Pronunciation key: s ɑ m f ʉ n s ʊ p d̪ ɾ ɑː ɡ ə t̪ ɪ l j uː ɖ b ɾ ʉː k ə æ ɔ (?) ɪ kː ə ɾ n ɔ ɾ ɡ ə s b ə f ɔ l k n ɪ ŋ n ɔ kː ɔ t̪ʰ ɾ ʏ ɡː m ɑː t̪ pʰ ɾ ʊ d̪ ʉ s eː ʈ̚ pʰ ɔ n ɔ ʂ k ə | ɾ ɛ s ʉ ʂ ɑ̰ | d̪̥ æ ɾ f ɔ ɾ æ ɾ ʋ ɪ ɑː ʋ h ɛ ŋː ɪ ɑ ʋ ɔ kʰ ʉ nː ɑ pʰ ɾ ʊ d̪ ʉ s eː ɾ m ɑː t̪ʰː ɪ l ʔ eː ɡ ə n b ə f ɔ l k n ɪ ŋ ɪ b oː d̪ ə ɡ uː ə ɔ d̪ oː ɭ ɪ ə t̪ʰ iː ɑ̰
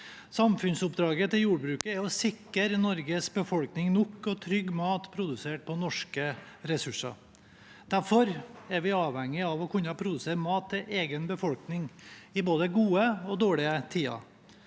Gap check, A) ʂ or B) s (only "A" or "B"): B